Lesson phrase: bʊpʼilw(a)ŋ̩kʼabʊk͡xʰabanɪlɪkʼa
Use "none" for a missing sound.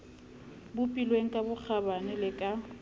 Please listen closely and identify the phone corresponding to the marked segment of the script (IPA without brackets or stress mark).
e